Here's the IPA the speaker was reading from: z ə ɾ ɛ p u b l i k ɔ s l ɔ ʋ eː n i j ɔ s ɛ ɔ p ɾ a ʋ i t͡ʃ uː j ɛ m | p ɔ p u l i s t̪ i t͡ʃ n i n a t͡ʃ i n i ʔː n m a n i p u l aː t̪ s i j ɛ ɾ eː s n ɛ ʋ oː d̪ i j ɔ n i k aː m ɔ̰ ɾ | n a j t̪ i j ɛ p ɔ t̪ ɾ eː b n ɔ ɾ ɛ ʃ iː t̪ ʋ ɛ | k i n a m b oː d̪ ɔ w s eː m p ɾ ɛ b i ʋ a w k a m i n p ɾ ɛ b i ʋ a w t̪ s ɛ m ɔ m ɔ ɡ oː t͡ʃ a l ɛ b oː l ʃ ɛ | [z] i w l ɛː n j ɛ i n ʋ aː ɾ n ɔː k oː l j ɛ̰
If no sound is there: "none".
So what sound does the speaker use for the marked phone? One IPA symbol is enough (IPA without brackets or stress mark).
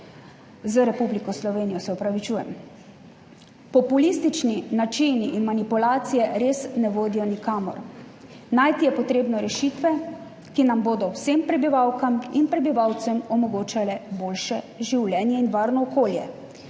ʒ